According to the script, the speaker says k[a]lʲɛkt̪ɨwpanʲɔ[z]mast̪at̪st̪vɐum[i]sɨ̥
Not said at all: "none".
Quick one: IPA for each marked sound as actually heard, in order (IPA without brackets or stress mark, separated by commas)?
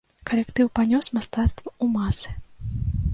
ɐ, s, a